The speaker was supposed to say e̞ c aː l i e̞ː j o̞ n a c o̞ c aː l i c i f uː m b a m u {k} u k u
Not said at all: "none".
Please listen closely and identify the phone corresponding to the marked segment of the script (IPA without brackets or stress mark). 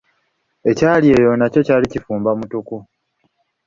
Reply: t